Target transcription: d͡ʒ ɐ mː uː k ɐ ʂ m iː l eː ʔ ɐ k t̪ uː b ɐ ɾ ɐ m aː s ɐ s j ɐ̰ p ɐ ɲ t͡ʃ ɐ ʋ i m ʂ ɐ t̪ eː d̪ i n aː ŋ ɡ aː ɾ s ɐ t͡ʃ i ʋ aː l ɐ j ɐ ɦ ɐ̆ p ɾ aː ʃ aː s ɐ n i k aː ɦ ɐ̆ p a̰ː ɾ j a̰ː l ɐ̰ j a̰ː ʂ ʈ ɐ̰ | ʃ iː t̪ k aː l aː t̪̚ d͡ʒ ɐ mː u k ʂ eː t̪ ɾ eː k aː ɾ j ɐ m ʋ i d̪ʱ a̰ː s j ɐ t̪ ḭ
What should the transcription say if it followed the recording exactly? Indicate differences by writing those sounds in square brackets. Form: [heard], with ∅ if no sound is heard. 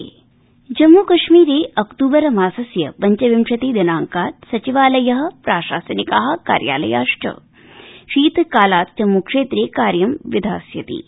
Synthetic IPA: d͡ʒ ɐ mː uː k ɐ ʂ m iː [ɾ] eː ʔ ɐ k t̪ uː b ɐ ɾ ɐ m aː s ɐ s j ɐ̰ p ɐ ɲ t͡ʃ ɐ ʋ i m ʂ ɐ t̪ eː d̪ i n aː ŋ [k] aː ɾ s ɐ t͡ʃ i ʋ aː l ɐ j ɐ ɦ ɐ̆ p ɾ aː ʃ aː s ɐ n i k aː ɦ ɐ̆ [k] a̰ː ɾ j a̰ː l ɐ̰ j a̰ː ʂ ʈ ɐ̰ | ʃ iː t̪ k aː l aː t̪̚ d͡ʒ ɐ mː u k ʂ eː t̪ ɾ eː k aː ɾ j ɐ m ʋ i d̪ʱ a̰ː s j ɐ t̪ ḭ